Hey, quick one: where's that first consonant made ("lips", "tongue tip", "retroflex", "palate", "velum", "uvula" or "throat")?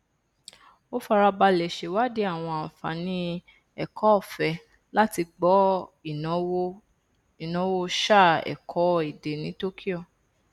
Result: lips